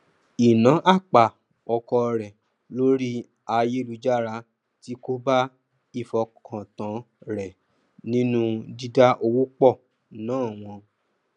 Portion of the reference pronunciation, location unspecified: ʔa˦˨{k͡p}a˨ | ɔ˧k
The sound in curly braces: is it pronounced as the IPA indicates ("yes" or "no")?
yes